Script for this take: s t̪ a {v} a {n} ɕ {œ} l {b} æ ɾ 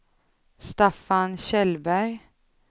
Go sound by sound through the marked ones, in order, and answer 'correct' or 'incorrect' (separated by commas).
incorrect, correct, incorrect, correct